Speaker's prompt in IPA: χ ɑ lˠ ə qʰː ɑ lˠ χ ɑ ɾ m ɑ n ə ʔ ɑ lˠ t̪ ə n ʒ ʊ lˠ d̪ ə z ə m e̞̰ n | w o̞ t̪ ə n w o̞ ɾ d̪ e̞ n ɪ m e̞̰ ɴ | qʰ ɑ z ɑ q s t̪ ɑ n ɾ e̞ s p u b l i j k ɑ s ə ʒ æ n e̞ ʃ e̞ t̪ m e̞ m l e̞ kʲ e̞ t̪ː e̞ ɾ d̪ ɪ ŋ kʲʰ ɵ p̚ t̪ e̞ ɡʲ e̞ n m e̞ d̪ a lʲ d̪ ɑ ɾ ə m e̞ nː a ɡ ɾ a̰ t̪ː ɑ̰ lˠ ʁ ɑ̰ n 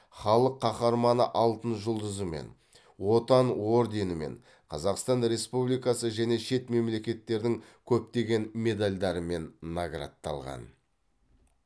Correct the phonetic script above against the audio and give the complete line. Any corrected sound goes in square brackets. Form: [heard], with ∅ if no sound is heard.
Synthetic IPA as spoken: χ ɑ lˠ ə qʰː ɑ [∅] χ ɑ ɾ m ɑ n ə ʔ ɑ lˠ t̪ ə n ʒ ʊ lˠ d̪ ə z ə m e̞̰ n | w o̞ t̪ [ɑ] n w o̞ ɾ d̪ e̞ n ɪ m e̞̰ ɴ | qʰ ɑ z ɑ q s t̪ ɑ n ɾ e̞ s p u b l i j k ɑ s ə ʒ æ n e̞ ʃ e̞ t̪ m e̞ m l e̞ kʲ e̞ t̪ː e̞ ɾ d̪ ɪ ŋ kʲʰ ɵ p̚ t̪ e̞ ɡʲ e̞ n m e̞ d̪ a lʲ d̪ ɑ ɾ ə m e̞ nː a ɡ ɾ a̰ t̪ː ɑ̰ lˠ ʁ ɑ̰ n

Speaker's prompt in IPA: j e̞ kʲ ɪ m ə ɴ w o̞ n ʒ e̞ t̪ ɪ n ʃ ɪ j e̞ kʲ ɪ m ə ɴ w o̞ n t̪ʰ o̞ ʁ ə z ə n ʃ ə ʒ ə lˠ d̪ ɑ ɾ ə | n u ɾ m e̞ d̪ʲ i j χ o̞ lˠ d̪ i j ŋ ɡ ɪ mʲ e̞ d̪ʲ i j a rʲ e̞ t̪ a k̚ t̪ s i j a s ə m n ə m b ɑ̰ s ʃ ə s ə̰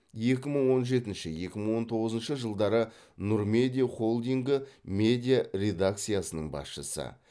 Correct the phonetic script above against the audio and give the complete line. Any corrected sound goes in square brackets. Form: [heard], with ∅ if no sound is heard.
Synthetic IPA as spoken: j e̞ kʲ ɪ m ə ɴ w o̞ n ʒ e̞ t̪ ɪ n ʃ ɪ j e̞ kʲ ɪ m ə ɴ w o̞ n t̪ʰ o̞ ʁ ə z ə n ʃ ə ʒ ə lˠ d̪ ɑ ɾ ə | n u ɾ m e̞ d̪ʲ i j χ o̞ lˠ d̪ i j ŋ ɡ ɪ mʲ e̞ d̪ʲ i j a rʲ e̞ [d̪] a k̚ t̪ s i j a s ə [∅] n ə [ɴ] b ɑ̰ s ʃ ə s ə̰

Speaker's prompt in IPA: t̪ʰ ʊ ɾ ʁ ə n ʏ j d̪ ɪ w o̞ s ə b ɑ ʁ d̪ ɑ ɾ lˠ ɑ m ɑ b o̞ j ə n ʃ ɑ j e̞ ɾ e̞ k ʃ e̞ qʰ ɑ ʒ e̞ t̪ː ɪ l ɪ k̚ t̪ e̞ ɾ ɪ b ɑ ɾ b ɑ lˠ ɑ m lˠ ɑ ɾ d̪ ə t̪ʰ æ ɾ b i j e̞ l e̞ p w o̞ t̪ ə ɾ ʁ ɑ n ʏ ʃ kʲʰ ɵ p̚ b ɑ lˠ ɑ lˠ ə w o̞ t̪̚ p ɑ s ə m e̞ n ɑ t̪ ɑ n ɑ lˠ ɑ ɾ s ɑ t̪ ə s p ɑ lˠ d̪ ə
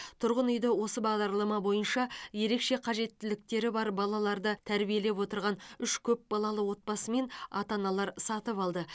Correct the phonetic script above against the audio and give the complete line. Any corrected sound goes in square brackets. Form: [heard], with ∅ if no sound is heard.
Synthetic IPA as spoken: t̪ʰ ʊ ɾ ʁ ə n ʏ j d̪ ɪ w o̞ s ə b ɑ ʁ d̪ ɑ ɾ lˠ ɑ m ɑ b o̞ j ə n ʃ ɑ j e̞ ɾ e̞ k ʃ e̞ qʰ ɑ ʒ e̞ t̪ː ɪ l ɪ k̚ t̪ e̞ ɾ ɪ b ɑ ɾ b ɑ lˠ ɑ [∅] lˠ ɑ ɾ d̪ ə t̪ʰ æ ɾ b i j e̞ l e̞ p w o̞ t̪ ə ɾ ʁ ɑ n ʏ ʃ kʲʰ ɵ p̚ b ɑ lˠ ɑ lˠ ə w o̞ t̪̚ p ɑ s ə m e̞ n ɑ t̪ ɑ n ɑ lˠ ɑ ɾ s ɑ t̪ ə [∅] p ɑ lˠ d̪ ə

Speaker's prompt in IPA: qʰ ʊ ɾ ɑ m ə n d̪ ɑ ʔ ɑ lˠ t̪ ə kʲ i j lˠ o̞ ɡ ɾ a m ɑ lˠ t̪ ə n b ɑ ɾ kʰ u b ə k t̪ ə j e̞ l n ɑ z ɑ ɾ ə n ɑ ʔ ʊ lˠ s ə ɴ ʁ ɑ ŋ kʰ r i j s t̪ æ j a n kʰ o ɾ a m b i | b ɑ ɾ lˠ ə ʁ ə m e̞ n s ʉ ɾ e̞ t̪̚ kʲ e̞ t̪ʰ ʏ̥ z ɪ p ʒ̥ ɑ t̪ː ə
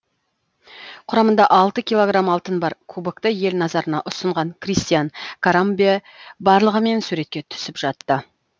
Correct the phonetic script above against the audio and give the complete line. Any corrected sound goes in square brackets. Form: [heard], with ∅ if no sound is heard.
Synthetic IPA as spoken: qʰ ʊ ɾ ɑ m ə n d̪ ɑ ʔ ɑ lˠ t̪ ə kʲ i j lˠ o̞ ɡ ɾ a m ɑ lˠ t̪ ə n b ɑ ɾ kʰ u b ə k t̪ ə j e̞ l n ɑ z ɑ ɾ ə n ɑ ʔ ʊ [∅] s ə ɴ ʁ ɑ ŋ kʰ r i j s t̪ [i] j a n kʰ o ɾ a m b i | b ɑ ɾ lˠ ə ʁ ə m e̞ n s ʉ ɾ e̞ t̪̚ kʲ e̞ t̪ʰ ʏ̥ [s] ɪ p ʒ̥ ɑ t̪ː ə

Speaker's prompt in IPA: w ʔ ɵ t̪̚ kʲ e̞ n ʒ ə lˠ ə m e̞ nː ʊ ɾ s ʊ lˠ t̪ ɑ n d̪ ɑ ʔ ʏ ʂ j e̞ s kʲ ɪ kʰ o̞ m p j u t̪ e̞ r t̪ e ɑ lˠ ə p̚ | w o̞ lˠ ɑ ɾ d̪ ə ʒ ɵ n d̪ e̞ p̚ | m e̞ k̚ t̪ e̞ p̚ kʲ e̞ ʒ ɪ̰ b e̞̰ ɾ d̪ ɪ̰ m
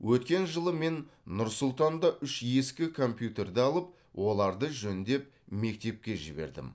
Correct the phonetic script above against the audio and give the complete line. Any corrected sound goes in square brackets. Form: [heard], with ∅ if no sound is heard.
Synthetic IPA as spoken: w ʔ ɵ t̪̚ kʲ e̞ n ʒ ə lˠ ə m e̞ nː ʊ ɾ s ʊ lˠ t̪ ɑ n d̪ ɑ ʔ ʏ [ʃ] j e̞ s kʲ ɪ kʰ o̞ m p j u t̪ e̞ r [d̪] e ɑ lˠ ə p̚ | w o̞ lˠ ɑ ɾ d̪ ə ʒ ɵ n d̪ e̞ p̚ | m e̞ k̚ t̪ e̞ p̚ kʲ e̞ ʒ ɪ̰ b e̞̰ ɾ d̪ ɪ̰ m

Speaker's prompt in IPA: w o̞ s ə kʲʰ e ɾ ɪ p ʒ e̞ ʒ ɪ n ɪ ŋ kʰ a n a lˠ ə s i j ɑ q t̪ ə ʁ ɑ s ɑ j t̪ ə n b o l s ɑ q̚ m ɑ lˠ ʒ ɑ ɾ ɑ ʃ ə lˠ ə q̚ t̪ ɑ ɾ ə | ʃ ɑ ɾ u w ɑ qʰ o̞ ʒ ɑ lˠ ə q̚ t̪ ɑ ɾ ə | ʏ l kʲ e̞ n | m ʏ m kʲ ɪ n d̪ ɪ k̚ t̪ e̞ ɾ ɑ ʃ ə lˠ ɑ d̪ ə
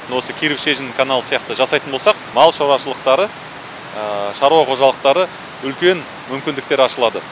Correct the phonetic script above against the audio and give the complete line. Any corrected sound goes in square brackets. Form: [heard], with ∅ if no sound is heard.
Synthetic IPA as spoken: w o̞ s ə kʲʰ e ɾ ɪ p [ʃ] e̞ ʒ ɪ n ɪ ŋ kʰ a n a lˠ ə s i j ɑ q t̪ ə [ʒ] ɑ s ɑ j t̪ ə n b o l s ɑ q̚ m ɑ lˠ [ʃ] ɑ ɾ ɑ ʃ ə lˠ ə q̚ t̪ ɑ ɾ ə | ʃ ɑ ɾ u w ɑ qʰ o̞ ʒ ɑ lˠ ə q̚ t̪ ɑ ɾ ə | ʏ l kʲ e̞ n | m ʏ m kʲ ɪ n d̪ ɪ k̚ t̪ e̞ ɾ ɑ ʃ ə lˠ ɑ d̪ ə

